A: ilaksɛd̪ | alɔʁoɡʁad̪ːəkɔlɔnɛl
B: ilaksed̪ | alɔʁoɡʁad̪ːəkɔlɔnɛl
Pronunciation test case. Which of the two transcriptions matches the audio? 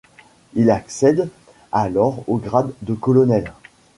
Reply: A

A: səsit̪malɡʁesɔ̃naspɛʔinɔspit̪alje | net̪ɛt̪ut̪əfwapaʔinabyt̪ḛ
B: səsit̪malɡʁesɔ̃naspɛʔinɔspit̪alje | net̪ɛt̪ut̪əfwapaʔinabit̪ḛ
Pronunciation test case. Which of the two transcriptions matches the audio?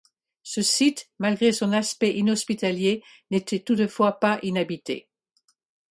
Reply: B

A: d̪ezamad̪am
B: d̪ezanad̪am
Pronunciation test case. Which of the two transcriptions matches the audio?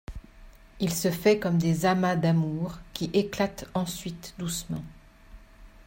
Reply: A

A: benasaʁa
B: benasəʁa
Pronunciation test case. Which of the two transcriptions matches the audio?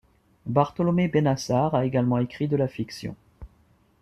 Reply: A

